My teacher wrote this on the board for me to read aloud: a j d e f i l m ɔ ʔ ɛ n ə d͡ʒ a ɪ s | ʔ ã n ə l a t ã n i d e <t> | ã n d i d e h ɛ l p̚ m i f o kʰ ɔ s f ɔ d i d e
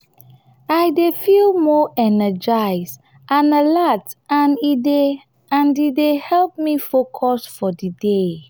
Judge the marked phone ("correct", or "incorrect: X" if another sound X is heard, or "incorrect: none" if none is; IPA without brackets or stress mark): incorrect: none